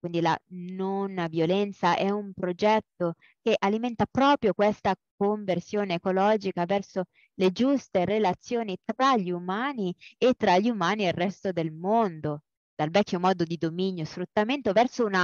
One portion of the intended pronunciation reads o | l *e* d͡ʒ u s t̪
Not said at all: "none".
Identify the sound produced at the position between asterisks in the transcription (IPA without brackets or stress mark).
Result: e